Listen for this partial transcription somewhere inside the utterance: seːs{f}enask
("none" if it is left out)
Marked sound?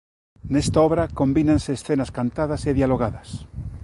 θ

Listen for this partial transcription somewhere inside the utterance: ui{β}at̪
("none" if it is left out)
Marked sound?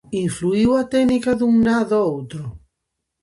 w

